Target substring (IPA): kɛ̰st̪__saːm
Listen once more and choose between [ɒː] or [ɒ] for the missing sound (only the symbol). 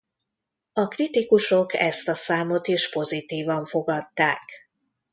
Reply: ɒ